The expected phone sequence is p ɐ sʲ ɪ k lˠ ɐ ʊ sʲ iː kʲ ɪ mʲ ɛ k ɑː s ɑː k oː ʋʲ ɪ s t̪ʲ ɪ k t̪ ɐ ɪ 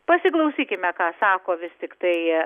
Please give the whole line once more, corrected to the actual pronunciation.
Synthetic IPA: p ɐ sʲ ɪ k lˠ ɐ ʊ sʲ iː kʲ ɪ mʲ ɛ k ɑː s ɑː k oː ʋʲ ɪ s t̪ʲ ɪ k t̪ ɐ ɪ